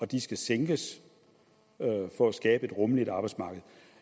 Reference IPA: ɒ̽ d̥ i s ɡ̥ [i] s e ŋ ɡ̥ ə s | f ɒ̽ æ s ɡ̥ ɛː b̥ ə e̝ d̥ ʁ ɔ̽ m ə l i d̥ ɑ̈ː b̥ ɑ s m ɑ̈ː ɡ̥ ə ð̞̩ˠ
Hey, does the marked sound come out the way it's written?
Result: no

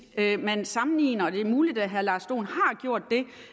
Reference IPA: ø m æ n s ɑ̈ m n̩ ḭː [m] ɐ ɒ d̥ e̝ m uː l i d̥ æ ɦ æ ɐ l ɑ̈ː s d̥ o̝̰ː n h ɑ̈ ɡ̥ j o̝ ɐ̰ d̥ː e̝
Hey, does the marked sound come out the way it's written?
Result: no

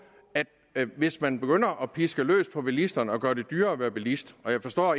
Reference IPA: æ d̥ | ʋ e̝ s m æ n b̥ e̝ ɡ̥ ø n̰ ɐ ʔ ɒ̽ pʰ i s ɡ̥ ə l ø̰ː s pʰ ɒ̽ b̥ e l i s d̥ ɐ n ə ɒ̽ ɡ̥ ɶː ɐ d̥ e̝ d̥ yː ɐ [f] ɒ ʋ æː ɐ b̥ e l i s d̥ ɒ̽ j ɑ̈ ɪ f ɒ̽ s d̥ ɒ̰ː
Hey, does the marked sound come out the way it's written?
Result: no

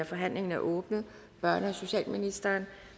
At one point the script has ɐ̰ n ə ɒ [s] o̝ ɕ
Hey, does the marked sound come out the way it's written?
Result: yes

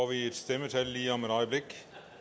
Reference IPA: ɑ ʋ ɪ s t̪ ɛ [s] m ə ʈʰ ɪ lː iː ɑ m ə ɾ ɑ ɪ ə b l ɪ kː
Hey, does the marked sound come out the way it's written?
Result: no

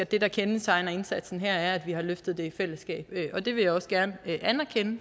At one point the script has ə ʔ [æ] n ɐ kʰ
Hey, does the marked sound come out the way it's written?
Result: yes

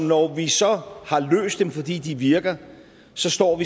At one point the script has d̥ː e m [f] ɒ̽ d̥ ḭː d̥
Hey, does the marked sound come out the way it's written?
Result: yes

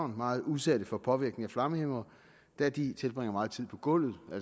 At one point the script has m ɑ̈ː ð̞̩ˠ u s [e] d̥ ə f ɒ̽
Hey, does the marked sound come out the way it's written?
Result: no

